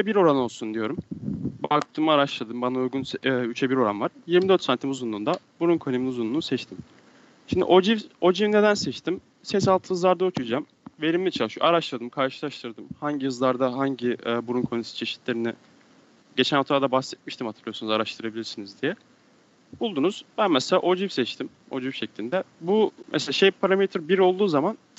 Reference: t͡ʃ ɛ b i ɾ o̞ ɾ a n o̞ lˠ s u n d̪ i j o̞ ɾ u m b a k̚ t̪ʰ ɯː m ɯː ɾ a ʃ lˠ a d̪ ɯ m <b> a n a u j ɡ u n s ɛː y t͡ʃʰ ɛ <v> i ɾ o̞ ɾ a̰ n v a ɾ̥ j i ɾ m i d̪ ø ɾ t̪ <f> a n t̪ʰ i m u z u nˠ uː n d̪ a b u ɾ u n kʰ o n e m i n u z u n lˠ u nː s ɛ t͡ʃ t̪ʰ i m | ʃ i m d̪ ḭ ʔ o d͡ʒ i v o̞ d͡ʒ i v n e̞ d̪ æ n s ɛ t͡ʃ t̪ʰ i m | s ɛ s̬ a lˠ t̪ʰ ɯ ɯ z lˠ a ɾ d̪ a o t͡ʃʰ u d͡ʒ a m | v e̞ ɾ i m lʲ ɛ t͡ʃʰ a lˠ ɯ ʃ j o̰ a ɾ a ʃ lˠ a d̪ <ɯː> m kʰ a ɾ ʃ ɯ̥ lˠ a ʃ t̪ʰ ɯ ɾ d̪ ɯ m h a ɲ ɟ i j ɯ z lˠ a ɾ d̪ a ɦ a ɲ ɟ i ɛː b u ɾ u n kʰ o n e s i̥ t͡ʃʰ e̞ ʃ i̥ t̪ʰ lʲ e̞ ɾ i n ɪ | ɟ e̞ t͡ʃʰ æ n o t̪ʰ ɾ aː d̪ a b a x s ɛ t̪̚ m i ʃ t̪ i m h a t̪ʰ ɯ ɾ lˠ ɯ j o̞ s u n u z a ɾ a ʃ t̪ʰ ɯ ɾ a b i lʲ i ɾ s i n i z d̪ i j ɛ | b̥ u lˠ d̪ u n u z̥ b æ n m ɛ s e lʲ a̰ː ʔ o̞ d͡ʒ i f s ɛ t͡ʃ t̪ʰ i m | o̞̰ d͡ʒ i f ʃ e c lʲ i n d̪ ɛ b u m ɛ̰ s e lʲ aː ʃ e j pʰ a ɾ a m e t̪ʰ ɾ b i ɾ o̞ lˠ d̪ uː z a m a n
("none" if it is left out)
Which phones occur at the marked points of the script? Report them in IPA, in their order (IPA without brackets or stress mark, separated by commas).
b, b, s, ɯ